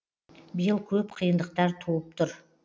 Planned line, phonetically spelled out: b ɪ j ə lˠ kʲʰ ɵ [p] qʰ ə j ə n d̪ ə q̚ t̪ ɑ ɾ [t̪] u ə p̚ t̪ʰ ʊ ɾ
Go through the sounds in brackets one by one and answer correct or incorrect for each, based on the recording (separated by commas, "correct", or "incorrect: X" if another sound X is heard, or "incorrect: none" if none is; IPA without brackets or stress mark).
correct, incorrect: t̪ʰ